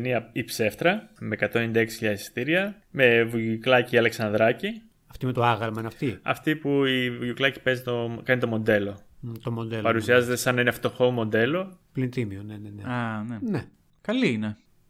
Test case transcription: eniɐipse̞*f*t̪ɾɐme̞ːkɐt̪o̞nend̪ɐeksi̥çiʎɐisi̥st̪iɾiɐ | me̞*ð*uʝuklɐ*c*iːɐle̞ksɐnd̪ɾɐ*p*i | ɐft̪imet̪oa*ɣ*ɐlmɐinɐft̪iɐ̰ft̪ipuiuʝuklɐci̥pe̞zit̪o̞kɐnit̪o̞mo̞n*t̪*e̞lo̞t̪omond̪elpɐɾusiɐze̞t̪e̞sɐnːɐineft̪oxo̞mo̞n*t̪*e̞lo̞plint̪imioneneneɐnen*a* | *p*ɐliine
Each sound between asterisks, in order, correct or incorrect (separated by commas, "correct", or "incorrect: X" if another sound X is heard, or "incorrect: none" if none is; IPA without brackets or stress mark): correct, incorrect: v, correct, incorrect: c, correct, incorrect: d̪, incorrect: d̪, incorrect: e, incorrect: k